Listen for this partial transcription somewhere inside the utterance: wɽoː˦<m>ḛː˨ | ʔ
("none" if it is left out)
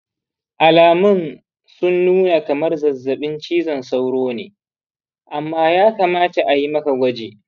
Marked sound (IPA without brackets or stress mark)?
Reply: n